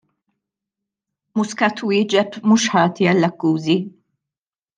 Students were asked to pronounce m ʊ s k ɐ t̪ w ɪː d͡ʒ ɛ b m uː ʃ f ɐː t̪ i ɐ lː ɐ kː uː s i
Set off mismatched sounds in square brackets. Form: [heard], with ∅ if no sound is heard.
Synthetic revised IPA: m ʊ s k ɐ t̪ w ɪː d͡ʒ ɛ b m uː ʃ [ħ] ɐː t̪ i ɐ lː ɐ kː uː [z] i